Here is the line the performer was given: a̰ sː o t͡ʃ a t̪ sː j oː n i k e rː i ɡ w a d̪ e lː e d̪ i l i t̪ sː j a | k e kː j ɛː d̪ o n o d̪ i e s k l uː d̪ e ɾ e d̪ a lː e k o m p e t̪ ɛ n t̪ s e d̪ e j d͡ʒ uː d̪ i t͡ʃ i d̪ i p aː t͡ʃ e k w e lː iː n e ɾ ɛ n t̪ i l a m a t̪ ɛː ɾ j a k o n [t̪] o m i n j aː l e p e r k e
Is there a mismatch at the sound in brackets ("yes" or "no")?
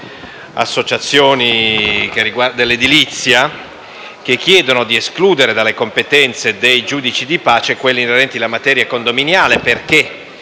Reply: yes